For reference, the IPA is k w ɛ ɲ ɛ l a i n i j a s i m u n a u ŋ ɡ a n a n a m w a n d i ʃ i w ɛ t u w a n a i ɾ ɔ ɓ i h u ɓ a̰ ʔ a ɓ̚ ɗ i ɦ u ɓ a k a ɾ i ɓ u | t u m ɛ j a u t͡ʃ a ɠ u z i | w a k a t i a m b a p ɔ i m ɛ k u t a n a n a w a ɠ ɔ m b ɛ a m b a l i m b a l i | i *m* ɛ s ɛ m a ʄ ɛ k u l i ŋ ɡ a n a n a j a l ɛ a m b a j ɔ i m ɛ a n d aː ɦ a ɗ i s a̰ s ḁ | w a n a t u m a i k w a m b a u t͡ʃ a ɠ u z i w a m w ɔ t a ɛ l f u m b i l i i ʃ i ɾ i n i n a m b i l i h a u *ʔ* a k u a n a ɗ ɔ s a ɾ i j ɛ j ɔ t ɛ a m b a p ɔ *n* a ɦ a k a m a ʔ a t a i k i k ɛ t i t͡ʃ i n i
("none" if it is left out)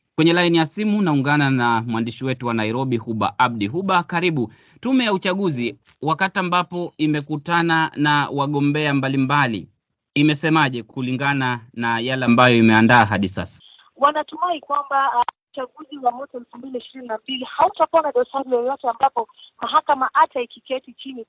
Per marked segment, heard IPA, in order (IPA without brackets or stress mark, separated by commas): m, t, m